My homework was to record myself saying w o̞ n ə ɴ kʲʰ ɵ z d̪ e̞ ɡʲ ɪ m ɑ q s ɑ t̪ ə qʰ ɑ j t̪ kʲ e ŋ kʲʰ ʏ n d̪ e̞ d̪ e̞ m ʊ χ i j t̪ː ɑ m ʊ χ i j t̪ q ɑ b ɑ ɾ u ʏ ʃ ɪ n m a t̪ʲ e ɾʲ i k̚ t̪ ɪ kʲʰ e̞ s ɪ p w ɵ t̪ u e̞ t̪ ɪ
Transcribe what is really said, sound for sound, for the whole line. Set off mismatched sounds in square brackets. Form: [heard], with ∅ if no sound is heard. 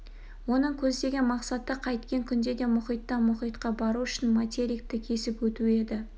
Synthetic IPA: w o̞ n ə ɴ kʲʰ ɵ z d̪ e̞ ɡʲ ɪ m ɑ q s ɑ t̪ ə qʰ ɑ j t̪ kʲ e ŋ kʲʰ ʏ n d̪ e̞ d̪ e̞ m ʊ χ i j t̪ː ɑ m ʊ χ i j t̪ q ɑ b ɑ ɾ u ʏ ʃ ɪ n m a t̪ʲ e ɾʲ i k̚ t̪ ɪ kʲʰ e̞ s ɪ p w ɵ t̪ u e̞ [d̪] ɪ